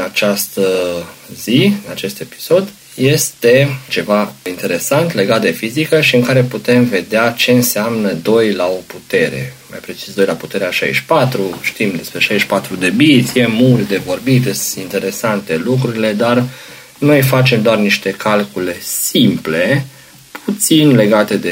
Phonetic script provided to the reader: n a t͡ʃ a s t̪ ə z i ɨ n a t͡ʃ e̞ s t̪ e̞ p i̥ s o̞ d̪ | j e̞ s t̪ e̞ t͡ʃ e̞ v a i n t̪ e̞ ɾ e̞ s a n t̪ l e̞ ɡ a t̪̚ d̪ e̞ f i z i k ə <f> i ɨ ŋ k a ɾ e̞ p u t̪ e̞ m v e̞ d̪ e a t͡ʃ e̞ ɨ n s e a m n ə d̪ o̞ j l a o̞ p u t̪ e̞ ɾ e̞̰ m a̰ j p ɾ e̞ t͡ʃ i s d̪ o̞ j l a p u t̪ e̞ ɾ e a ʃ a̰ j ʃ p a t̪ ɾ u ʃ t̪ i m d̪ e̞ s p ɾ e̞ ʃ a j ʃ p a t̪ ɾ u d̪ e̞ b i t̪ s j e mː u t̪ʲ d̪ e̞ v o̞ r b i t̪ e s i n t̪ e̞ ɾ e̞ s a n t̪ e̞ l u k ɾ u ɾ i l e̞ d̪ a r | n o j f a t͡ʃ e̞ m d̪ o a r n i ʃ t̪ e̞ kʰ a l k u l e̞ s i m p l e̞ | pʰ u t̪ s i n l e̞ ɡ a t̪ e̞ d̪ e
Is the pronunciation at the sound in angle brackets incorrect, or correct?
incorrect